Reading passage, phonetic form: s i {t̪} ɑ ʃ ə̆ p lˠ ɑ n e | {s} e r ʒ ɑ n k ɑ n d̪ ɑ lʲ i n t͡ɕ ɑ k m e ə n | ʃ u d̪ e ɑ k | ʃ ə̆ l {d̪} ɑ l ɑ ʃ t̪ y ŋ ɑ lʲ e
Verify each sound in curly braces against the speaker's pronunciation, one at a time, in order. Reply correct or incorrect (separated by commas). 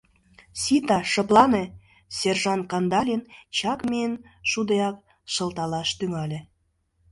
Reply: correct, correct, incorrect